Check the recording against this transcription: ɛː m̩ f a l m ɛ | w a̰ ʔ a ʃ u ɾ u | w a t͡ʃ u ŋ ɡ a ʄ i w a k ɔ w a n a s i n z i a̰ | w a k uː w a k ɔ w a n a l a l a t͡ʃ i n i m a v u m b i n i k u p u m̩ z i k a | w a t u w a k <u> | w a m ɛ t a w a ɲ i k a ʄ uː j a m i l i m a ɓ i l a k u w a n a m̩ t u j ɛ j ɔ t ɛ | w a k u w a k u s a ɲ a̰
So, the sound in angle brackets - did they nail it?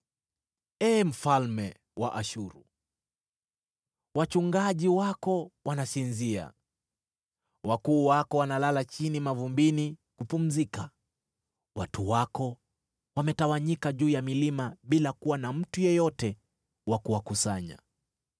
no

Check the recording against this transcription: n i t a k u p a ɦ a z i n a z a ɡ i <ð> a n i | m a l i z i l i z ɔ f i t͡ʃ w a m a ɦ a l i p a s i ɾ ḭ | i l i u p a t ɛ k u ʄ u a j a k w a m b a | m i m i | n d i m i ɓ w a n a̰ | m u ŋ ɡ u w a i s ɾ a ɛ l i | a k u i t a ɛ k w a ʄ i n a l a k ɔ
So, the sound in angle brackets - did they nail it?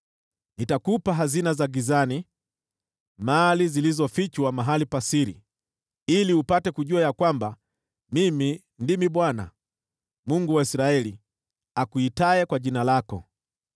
no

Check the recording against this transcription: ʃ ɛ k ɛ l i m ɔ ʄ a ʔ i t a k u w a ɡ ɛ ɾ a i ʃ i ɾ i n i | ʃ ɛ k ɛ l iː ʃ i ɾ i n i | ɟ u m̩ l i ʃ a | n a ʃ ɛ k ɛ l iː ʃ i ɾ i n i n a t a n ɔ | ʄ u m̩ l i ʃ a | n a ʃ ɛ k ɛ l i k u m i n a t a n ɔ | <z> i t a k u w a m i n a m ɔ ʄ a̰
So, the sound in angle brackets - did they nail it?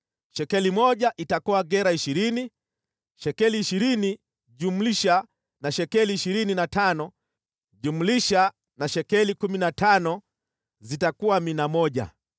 yes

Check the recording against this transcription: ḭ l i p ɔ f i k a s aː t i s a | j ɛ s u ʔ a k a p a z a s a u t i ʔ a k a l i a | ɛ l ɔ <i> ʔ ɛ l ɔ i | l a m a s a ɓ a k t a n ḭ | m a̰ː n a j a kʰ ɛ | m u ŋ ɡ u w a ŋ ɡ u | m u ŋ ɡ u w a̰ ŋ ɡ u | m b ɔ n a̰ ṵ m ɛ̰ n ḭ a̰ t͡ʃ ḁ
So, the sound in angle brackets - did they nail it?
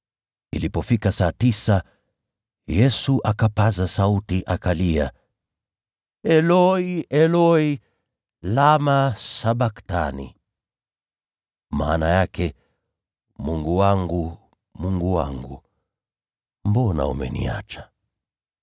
yes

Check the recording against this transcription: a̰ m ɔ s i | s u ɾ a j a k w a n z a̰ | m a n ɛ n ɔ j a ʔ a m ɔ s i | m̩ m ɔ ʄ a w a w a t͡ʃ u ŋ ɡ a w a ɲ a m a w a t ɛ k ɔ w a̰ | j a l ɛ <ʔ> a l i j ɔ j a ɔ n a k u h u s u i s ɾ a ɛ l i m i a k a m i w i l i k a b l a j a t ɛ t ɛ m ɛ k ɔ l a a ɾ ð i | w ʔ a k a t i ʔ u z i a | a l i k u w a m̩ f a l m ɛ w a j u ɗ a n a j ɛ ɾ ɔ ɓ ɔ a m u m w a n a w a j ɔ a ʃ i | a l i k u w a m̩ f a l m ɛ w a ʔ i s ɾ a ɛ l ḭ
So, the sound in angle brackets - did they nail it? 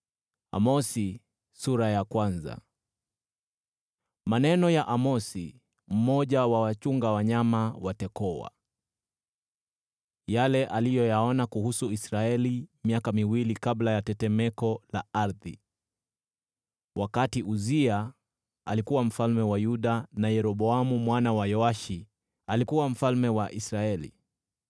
yes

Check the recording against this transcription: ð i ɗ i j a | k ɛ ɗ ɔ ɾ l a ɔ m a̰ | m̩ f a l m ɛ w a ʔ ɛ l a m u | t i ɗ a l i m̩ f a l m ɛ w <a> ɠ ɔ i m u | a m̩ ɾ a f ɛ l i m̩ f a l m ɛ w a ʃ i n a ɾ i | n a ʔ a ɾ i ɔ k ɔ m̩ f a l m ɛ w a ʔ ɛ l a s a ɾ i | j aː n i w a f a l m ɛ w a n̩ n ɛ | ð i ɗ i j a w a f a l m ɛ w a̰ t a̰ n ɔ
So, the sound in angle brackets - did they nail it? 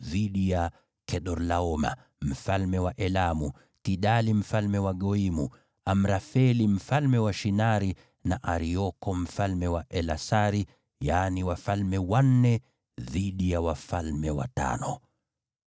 yes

